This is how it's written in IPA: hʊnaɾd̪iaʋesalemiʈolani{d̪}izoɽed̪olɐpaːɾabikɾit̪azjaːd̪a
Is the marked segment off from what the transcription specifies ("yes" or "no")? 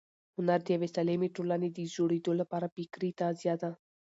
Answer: no